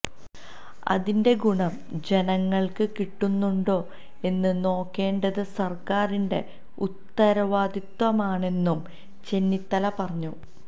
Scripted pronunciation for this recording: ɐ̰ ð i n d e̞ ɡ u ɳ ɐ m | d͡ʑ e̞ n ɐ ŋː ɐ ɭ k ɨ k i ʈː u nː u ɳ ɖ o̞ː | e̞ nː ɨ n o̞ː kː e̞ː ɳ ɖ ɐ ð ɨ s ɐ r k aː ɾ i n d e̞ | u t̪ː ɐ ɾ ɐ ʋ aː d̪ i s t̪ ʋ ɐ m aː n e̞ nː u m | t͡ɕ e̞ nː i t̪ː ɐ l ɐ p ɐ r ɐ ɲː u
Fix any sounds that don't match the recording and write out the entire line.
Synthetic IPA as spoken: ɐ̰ ð i n d e̞ ɡ u ɳ ɐ m | d͡ʑ e̞ n ɐ ŋː ɐ ɭ k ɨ k i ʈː u nː u ɳ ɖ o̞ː | e̞ nː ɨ n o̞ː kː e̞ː ɳ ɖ ɐ ð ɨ s ɐ r k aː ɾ i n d e̞ | u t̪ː ɐ ɾ ɐ ʋ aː d̪ i t̪ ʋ ɐ m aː ɳ e̞ nː u m | t͡ɕ e̞ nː i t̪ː ɐ l ɐ p ɐ r ɐ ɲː u

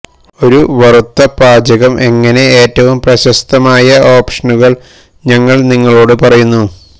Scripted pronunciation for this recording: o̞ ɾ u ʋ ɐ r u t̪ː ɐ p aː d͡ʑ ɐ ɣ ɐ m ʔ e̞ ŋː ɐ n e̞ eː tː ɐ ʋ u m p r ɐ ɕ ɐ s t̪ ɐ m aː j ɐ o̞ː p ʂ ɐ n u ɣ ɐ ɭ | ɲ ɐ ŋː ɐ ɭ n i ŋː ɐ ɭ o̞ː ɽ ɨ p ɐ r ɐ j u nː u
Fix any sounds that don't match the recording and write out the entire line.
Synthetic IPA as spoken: o̞ ɾ u ʋ ɐ r u t̪ː ɐ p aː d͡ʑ ɐ ɣ ɐ m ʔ e̞ ŋː ɐ n e̞ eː tː ɐ ʋ u m p r ɐ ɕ ɐ s t̪ ɐ m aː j ɐ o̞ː p ʂ ɐ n u ɣ ɐ ɭ | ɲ ɐ ŋː ɐ ɭ n i ŋː ɐ ɭ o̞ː ɽ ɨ p ɐ r ɐ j u nː u

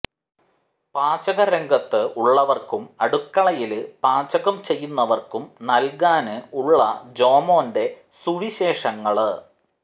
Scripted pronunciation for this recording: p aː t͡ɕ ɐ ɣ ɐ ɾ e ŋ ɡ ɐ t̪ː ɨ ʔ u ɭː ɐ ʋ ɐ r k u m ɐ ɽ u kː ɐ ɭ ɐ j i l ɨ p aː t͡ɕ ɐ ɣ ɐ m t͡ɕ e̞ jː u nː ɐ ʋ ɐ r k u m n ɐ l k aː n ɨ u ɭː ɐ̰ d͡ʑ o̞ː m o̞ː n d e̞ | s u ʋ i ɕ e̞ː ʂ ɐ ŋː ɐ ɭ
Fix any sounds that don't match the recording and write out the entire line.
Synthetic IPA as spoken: p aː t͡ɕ ɐ ɣ ɐ ɾ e ŋ ɡ ɐ t̪ː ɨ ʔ u ɭː ɐ ʋ ɐ r k u m ɐ ɽ u kː ɐ ɭ ɐ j i l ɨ p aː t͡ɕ ɐ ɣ ɐ m t͡ɕ e̞ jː u nː ɐ ʋ ɐ r k u m n ɐ l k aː n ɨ u ɭː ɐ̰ d͡ʑ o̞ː m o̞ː n d e̞ | s u ʋ i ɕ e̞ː ʂ ɐ ŋː ɐ ɭ

